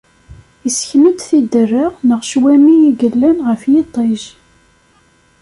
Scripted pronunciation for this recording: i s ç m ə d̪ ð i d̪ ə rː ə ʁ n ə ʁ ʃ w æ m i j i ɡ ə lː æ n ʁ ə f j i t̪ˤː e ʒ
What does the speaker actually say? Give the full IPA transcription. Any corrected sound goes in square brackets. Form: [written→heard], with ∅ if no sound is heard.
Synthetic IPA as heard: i s ç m ə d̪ [ð→θ] i d̪ ə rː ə ʁ n ə ʁ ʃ w æ m i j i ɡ ə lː æ n ʁ ə f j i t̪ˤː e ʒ